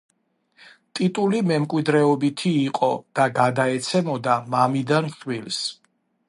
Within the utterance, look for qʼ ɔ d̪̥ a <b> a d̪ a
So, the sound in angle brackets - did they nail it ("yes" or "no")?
no